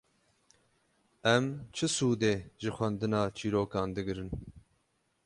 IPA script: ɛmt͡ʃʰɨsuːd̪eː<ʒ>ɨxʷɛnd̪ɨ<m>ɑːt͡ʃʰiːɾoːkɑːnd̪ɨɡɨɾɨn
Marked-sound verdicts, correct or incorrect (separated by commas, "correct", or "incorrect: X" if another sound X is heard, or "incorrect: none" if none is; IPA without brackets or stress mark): correct, incorrect: n